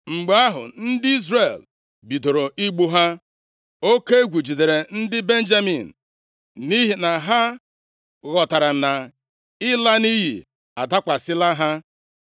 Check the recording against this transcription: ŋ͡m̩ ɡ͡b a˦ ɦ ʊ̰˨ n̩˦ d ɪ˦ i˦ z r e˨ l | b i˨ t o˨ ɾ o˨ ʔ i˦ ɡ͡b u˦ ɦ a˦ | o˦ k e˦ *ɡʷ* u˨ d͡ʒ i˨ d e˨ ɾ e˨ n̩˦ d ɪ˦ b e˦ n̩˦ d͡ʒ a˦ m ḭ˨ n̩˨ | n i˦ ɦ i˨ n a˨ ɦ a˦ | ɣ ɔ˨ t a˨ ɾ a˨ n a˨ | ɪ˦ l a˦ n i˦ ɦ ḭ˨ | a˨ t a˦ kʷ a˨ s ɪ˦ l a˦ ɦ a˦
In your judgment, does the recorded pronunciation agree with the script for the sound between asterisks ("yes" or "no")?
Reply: yes